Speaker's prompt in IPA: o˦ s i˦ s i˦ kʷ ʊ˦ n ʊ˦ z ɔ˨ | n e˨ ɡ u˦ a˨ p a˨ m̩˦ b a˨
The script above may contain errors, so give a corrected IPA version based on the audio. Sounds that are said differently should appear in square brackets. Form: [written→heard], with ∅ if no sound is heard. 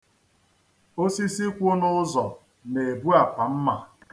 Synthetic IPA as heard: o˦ s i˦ s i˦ kʷ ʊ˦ n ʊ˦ z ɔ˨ | n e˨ [ɡ→b] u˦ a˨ p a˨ m̩˦ [b→m] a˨